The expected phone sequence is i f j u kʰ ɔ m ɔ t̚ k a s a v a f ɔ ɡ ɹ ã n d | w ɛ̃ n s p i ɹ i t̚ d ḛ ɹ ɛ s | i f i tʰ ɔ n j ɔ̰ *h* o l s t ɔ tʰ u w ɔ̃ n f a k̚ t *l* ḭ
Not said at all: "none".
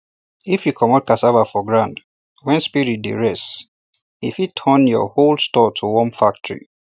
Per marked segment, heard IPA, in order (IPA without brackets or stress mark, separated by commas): h, ɹ